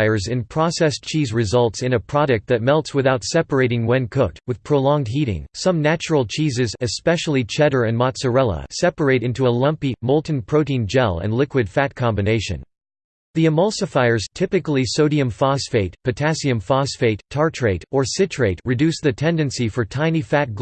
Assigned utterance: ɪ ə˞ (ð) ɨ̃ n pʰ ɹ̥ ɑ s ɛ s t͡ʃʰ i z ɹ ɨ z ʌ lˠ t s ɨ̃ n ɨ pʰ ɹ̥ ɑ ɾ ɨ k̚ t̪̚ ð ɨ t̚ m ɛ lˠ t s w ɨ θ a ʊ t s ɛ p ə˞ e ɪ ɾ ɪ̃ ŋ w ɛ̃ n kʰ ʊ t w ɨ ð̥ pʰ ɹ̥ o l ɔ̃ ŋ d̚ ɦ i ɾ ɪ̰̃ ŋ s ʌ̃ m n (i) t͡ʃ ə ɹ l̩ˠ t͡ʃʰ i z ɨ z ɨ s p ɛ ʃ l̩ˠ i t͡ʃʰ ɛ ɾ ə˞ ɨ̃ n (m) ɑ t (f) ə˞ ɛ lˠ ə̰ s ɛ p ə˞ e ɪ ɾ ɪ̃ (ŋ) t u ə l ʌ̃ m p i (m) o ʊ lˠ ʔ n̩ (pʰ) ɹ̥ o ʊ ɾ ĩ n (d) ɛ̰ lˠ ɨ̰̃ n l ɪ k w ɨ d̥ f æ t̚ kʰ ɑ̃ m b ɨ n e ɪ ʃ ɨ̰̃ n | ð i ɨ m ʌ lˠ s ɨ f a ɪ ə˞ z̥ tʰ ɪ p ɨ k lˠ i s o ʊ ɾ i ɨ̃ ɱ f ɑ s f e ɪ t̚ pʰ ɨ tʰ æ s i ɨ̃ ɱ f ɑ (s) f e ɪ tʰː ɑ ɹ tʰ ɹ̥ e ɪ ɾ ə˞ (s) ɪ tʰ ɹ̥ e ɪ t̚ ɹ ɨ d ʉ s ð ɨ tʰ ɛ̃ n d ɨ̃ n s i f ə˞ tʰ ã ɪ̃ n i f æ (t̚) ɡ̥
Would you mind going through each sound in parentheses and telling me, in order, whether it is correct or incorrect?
incorrect: z, incorrect: æ, correct, incorrect: s, incorrect: n, correct, correct, incorrect: d͡ʒ, correct, correct, correct

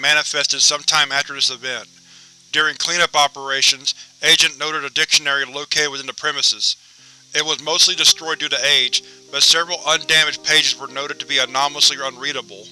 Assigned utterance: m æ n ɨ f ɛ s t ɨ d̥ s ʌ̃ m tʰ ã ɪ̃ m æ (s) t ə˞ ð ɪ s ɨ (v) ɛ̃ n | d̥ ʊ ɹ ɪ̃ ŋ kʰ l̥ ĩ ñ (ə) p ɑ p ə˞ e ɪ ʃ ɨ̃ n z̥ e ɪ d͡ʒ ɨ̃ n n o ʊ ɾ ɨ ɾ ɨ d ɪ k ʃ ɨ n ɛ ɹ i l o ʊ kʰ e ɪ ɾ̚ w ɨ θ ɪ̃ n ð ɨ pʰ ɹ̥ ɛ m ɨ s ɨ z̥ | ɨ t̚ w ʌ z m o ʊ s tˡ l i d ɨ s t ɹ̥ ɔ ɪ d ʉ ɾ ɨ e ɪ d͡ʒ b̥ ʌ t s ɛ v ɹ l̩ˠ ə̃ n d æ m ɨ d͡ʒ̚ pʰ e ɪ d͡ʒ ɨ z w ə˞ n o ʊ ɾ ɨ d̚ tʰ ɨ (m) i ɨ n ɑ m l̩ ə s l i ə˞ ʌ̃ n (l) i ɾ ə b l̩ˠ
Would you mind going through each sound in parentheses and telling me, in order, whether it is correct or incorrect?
incorrect: f, correct, incorrect: ʌ, incorrect: b, incorrect: ɹ

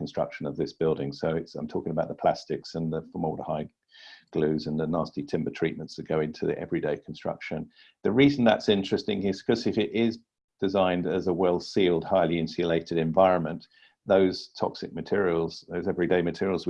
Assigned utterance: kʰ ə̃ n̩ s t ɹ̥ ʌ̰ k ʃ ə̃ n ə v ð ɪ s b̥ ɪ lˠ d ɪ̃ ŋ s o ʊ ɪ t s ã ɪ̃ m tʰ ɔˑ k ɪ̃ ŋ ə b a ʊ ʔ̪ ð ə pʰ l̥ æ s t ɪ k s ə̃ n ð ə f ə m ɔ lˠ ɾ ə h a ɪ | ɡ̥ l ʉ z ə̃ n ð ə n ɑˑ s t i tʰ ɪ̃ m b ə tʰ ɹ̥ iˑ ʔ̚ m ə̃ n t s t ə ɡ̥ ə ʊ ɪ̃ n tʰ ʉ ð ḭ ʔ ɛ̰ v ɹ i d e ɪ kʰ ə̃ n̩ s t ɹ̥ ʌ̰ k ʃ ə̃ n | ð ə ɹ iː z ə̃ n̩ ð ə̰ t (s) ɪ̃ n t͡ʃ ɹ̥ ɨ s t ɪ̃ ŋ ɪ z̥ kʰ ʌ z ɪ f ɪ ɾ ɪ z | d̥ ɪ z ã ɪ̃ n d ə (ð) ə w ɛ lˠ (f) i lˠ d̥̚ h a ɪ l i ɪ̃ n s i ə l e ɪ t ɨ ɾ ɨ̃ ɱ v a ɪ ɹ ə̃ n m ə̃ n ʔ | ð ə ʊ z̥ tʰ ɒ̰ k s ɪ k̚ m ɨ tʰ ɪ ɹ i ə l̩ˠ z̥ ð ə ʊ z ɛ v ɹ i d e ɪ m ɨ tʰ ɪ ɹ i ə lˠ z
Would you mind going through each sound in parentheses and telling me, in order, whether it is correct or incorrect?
correct, incorrect: z, incorrect: s

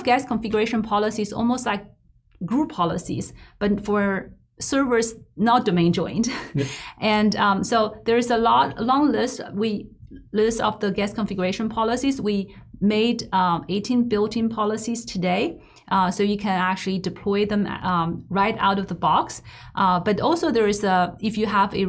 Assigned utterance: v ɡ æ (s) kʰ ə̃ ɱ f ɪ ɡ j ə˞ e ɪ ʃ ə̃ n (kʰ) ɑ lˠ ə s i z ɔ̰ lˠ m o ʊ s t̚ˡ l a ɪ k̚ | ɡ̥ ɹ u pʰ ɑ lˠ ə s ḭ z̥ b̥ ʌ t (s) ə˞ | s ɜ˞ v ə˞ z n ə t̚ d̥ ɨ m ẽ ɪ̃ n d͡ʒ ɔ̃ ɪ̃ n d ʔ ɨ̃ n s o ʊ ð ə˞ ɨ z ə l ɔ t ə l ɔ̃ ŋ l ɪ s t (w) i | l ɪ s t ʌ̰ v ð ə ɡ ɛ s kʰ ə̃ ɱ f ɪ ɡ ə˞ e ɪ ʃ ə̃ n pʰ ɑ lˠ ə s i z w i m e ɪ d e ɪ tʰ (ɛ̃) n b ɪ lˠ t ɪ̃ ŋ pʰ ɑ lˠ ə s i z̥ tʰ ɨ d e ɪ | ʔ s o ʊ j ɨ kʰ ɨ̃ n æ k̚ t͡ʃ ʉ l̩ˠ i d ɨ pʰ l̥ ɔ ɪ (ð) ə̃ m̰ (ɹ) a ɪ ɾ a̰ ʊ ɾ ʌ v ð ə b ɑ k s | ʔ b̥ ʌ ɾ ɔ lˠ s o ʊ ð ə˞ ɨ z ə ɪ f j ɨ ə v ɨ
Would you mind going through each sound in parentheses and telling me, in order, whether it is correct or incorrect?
correct, incorrect: pʰ, incorrect: f, correct, incorrect: ĩ, correct, correct

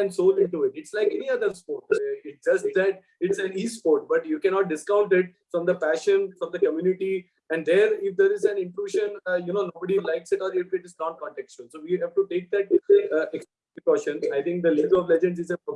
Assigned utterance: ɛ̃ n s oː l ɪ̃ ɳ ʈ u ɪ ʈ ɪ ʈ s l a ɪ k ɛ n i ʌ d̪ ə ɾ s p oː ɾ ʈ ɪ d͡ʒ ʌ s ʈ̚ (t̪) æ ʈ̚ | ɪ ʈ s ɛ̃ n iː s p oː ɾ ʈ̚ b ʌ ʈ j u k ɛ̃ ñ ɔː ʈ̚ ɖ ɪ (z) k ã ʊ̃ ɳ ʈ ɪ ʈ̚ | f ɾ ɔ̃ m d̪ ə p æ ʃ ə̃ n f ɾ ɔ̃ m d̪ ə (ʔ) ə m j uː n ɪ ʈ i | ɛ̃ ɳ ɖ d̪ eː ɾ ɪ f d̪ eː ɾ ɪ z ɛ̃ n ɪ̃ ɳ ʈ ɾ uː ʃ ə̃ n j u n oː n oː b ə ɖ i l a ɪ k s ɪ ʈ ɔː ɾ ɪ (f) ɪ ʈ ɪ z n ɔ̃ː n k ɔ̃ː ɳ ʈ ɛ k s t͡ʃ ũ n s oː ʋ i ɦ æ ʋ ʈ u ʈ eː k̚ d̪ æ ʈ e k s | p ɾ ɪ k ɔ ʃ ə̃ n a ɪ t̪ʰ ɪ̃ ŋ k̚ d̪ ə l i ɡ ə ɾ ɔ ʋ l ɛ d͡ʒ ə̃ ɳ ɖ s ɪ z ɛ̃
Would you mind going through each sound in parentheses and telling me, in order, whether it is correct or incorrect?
incorrect: d̪, incorrect: s, incorrect: k, correct

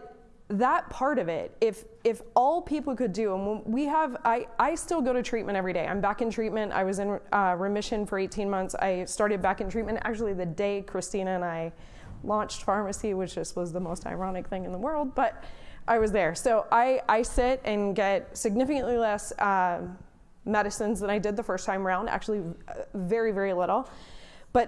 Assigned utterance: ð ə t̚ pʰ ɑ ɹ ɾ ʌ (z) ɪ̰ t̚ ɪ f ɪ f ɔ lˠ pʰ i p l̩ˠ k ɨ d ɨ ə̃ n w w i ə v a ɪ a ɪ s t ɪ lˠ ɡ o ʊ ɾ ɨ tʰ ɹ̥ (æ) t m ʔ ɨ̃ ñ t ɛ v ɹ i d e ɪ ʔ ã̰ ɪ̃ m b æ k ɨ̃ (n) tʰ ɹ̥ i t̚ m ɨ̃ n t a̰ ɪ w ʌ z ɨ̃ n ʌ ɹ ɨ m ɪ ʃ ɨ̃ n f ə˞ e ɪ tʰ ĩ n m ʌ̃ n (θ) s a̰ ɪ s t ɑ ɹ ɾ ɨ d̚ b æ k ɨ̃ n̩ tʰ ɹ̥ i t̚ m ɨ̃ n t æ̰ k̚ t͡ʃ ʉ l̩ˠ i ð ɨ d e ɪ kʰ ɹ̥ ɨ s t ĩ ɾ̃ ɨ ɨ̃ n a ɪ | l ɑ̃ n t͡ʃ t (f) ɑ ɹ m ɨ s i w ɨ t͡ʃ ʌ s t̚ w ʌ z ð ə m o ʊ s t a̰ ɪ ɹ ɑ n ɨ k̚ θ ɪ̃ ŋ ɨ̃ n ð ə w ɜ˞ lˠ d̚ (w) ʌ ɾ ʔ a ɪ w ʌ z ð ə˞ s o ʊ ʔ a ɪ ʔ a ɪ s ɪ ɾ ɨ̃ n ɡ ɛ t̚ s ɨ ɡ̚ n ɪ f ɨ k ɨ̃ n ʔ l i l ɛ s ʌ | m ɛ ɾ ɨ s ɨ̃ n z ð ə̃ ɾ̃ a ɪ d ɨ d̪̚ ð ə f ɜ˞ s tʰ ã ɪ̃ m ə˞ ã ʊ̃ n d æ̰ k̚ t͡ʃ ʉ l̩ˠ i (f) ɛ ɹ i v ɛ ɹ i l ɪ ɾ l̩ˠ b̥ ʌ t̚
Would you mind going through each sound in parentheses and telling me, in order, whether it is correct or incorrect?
incorrect: v, incorrect: i, correct, correct, correct, incorrect: b, incorrect: v

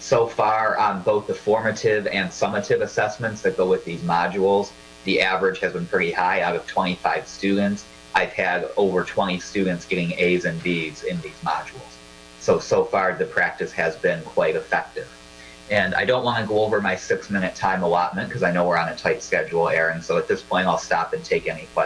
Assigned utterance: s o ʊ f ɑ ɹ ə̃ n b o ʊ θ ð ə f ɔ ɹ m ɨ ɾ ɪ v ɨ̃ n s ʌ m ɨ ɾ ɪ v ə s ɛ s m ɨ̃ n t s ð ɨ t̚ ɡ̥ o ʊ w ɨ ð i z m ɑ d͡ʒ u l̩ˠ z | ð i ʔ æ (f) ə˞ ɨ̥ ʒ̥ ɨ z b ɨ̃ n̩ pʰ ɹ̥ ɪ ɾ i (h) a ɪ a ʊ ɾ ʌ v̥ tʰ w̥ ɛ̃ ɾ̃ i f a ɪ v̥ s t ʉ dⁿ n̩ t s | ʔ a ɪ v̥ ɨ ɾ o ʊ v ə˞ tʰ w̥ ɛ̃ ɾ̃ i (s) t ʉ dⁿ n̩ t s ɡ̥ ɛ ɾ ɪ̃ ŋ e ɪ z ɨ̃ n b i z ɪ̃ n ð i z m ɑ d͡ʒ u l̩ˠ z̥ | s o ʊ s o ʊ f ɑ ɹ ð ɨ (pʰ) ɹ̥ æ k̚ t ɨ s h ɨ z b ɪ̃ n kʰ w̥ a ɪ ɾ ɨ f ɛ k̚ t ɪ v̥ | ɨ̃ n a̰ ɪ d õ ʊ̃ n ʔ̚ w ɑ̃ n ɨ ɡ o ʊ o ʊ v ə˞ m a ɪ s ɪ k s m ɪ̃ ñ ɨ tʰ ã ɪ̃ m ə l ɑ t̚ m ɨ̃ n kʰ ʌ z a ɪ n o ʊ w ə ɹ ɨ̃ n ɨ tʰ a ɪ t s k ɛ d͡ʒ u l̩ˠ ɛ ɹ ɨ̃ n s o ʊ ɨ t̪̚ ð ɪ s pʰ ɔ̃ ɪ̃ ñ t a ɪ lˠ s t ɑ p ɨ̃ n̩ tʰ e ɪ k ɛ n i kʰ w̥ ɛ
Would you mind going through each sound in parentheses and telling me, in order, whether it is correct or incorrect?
incorrect: v, correct, correct, correct

